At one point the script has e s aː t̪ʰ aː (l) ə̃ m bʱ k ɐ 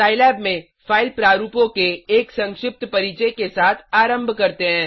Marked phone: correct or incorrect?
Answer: incorrect: ɾ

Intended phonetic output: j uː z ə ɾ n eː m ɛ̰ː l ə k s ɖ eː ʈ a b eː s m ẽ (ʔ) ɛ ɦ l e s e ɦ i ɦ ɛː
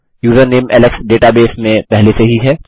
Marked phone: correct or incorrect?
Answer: incorrect: p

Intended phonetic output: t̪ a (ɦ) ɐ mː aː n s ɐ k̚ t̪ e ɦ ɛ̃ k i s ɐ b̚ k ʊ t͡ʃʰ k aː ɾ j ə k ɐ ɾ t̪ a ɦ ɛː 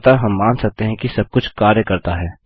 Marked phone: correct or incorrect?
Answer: correct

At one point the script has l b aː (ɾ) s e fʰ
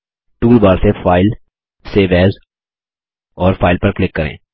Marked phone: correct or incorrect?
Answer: correct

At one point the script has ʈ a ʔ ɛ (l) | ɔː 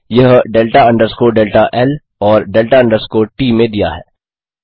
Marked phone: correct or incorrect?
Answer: correct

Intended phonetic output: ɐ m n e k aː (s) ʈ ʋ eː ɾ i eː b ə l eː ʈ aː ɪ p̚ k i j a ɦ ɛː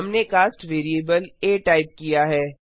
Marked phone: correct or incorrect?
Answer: correct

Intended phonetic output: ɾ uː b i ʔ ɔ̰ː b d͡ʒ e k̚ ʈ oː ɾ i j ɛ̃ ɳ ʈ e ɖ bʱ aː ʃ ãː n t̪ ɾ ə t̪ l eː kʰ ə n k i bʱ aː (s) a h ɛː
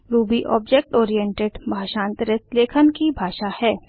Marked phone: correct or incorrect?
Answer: incorrect: ʃ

